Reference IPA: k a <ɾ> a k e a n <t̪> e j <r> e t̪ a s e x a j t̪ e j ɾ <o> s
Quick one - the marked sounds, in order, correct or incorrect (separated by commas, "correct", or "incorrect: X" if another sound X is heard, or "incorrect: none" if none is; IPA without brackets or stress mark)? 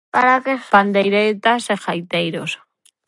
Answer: correct, incorrect: d̪, incorrect: ɾ, correct